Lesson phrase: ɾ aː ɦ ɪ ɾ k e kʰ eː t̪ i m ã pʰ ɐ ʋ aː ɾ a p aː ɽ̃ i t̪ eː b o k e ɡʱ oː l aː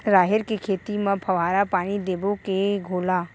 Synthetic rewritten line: ɾ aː ɦ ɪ ɾ k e kʰ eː t̪ i m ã pʰ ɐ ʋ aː ɾ a p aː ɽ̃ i d̪ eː b o k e ɡʱ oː l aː